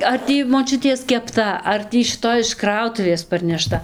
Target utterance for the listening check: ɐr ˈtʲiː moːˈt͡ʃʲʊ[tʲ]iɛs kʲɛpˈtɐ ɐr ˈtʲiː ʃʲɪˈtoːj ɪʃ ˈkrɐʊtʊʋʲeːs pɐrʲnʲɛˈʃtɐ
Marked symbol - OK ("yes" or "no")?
yes